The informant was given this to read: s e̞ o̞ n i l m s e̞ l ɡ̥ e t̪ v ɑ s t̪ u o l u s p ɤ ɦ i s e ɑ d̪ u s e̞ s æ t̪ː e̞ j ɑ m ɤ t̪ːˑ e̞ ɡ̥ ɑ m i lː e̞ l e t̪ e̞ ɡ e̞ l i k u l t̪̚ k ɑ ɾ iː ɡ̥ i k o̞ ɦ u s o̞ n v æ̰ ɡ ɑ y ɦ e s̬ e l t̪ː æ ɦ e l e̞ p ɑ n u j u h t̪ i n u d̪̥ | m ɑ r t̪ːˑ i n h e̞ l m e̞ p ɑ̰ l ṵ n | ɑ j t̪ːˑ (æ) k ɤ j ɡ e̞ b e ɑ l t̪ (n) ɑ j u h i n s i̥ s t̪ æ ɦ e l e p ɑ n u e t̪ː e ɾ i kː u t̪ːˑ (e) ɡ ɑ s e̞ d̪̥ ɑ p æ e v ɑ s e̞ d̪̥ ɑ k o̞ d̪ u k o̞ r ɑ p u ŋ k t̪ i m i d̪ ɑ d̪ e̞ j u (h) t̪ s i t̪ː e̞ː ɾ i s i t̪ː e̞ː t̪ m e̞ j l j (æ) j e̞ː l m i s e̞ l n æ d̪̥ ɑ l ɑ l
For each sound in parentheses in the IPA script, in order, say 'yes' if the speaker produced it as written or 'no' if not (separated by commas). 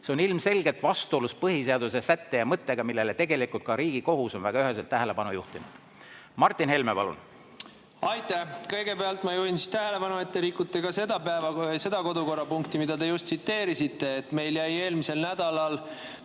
yes, no, yes, no, yes